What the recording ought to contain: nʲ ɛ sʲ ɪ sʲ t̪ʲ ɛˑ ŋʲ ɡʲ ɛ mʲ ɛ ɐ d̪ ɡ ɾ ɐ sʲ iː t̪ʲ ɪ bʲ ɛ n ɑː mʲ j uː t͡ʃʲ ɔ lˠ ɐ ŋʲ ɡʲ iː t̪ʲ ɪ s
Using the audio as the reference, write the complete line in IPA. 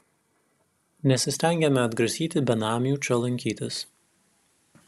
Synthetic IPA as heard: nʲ ɛ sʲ ɪ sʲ t̪ʲ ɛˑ ŋʲ ɡʲ ɛ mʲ ɛ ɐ d̪ ɡ ɾ ɐ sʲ iː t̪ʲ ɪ bʲ ɛ n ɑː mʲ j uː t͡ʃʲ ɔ lˠ ɐ ŋʲ kʲ iː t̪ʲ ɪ s